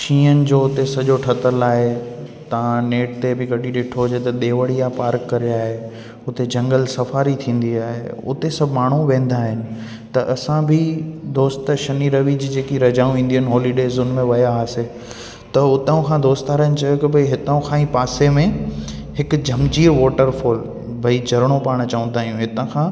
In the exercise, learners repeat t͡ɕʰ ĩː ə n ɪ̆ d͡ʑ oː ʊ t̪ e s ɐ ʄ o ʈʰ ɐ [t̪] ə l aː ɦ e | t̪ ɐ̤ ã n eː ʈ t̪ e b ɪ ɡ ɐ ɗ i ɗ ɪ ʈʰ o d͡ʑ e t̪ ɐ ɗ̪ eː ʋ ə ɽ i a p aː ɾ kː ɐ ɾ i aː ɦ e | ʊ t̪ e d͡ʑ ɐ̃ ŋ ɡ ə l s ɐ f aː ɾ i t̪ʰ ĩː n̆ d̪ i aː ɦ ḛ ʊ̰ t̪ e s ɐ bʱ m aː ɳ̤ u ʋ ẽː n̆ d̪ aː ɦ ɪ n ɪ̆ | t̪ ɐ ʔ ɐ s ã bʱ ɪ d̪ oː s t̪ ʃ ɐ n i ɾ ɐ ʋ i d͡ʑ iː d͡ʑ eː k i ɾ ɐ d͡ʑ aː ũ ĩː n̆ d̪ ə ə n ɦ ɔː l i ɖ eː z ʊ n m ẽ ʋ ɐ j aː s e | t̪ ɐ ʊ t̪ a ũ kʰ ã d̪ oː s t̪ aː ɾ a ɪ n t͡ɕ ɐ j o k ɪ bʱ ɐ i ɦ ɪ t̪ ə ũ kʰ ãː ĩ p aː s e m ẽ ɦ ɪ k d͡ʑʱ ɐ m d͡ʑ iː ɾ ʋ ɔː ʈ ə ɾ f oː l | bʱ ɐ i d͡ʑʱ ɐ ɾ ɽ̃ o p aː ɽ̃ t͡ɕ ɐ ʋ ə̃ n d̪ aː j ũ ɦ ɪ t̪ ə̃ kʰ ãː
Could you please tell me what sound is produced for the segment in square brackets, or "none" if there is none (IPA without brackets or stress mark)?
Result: t̪